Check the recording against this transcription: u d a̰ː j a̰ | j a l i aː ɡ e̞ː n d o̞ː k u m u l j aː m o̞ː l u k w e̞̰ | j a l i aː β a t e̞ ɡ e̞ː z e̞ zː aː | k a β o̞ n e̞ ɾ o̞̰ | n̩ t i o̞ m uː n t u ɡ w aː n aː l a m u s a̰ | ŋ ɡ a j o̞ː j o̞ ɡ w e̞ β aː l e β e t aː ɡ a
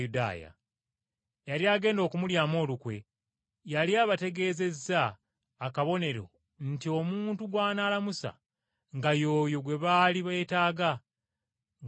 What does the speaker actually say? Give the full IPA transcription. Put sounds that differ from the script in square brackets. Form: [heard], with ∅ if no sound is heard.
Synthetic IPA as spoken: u d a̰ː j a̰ | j a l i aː ɡ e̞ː n d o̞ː k u m u l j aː m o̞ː l u k w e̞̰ | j a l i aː β a t e̞ ɡ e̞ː z e̞ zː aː | k a β o̞ n e̞ ɾ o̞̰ | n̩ t i o̞ m uː n t u ɡ w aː n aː l a m u s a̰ | ŋ ɡ a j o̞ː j o̞ ɡ w e̞ β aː l [i] β e t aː ɡ a